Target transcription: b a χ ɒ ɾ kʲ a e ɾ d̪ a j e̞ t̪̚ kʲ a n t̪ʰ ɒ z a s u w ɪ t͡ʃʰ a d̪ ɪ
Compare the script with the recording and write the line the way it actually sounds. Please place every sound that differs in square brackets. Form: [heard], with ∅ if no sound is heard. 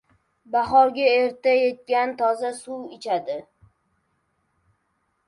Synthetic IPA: b a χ ɒ ɾ [ɡʲ] a e ɾ [t̪] a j e̞ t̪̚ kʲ a n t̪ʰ ɒ z a s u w ɪ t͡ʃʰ a d̪ ɪ